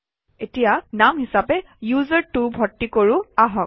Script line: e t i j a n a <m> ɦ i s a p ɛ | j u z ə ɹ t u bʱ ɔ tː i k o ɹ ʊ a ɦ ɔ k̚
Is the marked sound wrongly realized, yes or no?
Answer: no